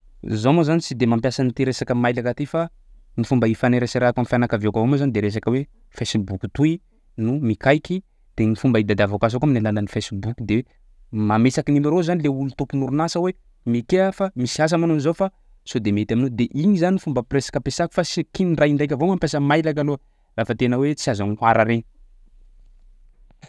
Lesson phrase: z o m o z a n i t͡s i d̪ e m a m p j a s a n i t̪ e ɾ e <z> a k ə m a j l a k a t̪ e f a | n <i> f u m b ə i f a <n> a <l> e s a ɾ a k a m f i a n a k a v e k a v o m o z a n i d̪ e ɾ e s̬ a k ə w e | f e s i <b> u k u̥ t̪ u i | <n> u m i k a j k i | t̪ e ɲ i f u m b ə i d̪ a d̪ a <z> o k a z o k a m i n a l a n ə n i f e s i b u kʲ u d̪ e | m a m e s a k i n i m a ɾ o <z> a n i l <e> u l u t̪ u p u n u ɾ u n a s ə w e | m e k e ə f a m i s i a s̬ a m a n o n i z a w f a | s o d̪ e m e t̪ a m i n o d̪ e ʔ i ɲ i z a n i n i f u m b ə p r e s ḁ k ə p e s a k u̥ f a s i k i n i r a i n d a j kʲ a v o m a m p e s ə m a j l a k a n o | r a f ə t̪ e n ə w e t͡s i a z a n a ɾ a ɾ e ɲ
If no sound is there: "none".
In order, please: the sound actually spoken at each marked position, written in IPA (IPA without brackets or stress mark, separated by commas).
s, i, n, ɾ, b, n, v, z, e